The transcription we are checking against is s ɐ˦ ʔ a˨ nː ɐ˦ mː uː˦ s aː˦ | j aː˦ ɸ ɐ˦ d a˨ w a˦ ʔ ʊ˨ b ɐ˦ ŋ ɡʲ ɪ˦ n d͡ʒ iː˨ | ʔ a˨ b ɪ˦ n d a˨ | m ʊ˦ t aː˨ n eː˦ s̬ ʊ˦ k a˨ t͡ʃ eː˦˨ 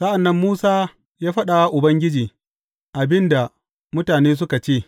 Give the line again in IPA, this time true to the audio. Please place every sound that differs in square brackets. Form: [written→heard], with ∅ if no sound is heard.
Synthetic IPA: s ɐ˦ ʔ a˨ nː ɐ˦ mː uː˦ s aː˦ | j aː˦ ɸ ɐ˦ [d→ɗ] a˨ w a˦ ʔ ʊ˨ b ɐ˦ ŋ ɡʲ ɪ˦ [n→∅] d͡ʒ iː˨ | ʔ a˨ b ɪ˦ n d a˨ | m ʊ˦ t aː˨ n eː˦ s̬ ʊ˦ k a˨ t͡ʃ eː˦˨